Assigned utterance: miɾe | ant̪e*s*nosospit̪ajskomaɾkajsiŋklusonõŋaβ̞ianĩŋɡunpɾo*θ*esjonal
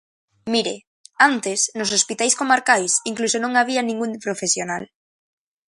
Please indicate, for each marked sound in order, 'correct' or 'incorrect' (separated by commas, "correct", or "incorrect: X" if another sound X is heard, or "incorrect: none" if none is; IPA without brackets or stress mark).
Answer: correct, incorrect: f